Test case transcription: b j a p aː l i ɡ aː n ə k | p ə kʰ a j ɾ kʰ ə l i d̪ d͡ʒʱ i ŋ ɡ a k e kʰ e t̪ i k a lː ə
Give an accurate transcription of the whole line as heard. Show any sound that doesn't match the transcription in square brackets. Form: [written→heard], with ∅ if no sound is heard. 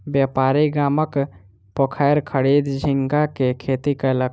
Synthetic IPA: b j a p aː [l→ɾ] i ɡ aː [n→m] ə k | p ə kʰ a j ɾ kʰ ə [l→ɽ] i d̪ d͡ʒʱ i ŋ ɡ a k e kʰ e t̪ i k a [lː→l] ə